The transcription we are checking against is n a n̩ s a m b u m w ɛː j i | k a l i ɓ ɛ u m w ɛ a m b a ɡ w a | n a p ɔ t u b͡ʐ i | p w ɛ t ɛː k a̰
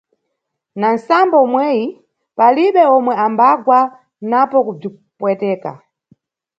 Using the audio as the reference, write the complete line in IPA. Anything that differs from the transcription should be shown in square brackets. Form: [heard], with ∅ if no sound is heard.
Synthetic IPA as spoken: n a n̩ s a m b [ɔ] m w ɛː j i | [p] a l i ɓ ɛ [ɔ] m w ɛ a m b a ɡ w a | n a p ɔ [k] u b͡ʐ i | p w ɛ t ɛː k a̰